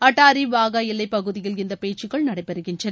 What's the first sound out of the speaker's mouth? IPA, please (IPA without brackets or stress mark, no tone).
ɐ